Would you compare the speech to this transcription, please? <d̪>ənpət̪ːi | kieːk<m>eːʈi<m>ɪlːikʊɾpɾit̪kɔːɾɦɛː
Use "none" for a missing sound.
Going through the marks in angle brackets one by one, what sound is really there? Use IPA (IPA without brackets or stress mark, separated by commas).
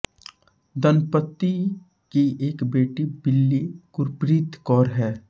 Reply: d̪, b, b